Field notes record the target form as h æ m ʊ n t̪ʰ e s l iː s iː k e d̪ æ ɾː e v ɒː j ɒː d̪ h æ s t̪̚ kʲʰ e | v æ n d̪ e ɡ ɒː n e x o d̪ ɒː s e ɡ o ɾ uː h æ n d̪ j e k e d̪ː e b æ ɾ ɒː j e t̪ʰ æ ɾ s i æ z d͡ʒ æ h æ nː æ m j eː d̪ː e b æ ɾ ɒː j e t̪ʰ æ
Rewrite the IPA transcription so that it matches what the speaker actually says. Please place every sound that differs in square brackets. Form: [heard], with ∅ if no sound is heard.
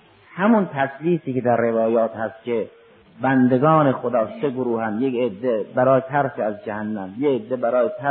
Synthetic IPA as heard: h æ m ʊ n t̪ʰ [æ] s l iː s iː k e d̪ æ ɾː e v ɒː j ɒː [t̪] h æ s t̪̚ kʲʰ e | [b] æ n d̪ e ɡ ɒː n e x o d̪ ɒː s e ɡ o ɾ uː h æ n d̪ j e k e d̪ː e b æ ɾ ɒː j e t̪ʰ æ ɾ s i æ z d͡ʒ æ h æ nː æ m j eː d̪ː e b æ ɾ ɒː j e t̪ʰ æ